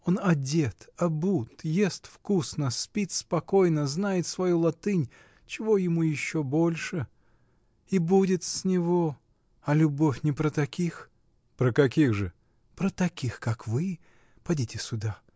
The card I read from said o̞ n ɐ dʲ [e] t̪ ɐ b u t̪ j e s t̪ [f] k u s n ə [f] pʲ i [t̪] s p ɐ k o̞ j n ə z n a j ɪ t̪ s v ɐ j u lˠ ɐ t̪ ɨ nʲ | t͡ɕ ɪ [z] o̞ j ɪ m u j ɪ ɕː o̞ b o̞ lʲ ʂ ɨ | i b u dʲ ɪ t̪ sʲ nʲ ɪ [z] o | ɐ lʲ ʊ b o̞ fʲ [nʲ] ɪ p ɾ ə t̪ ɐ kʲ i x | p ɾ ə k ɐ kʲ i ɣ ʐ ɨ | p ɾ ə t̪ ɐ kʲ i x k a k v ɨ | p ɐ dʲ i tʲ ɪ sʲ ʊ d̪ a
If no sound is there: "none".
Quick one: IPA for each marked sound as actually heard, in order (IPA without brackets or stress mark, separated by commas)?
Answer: e, f, s, t̪, v, v, nʲ